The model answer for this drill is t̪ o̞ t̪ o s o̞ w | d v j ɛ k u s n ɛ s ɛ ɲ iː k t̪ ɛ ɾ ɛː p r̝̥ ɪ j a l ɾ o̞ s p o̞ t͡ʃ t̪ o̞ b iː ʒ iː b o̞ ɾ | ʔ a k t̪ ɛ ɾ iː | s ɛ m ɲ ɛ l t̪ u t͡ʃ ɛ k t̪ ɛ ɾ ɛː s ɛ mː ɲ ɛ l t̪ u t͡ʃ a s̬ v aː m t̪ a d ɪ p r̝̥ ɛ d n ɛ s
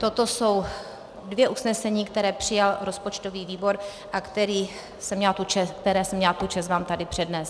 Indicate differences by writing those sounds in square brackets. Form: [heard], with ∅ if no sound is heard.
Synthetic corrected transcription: t̪ o̞ t̪ o s o̞ w | d v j ɛ [ʔ] u s n ɛ s ɛ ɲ iː k t̪ ɛ ɾ ɛː p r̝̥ ɪ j a l ɾ o̞ s p o̞ t͡ʃ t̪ o̞ [v] iː [v] iː b o̞ ɾ | ʔ a k t̪ ɛ ɾ iː | s ɛ m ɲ ɛ l t̪ u t͡ʃ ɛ k t̪ ɛ ɾ ɛː s ɛ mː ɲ ɛ l t̪ u t͡ʃ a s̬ v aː m t̪ a d ɪ p r̝̥ ɛ d n ɛ s